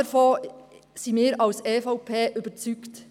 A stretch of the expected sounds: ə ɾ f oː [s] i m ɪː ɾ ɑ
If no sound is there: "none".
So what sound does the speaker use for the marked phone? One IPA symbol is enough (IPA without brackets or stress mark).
s